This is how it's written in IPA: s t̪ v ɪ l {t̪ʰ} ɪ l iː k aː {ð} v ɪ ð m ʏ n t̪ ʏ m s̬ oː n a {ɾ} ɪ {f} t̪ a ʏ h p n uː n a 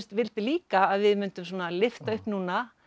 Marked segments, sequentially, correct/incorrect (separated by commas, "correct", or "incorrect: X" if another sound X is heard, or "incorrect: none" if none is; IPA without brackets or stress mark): incorrect: t̪, correct, incorrect: l, correct